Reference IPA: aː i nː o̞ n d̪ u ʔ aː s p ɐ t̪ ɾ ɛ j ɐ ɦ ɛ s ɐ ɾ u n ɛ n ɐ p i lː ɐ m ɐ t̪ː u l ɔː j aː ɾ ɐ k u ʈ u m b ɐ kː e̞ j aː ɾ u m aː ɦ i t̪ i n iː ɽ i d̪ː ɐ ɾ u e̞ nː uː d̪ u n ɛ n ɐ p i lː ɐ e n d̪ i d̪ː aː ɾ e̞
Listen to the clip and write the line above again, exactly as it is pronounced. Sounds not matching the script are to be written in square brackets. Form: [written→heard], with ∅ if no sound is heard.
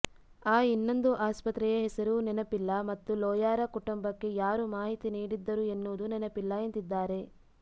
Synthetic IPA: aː i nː o̞ n d̪ u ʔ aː s p ɐ t̪ ɾ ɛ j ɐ ɦ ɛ s ɐ ɾ u n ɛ n ɐ p i lː ɐ m ɐ t̪ː u l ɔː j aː ɾ ɐ k u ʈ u m b ɐ kː e̞ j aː ɾ u m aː ɦ i t̪ i n iː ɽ i d̪ː ɐ ɾ u e̞ nː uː d̪ u n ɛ n ɐ p i lː ɐ e n [d̪→t̪] i d̪ː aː ɾ e̞